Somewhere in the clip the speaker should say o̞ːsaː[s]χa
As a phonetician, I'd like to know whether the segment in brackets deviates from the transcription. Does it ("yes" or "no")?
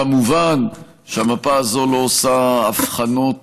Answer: yes